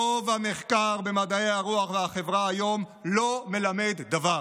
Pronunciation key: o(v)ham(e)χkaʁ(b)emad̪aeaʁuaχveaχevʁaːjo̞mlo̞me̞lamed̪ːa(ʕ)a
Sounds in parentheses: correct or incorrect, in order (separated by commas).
correct, correct, correct, incorrect